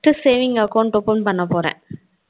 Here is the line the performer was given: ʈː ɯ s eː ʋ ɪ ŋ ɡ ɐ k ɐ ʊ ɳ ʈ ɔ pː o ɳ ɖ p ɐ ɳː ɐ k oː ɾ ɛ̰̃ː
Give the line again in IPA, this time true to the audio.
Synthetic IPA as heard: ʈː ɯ s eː ʋ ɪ ŋ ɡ ɐ k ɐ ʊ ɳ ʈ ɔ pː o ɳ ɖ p ɐ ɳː ɐ p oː ɾ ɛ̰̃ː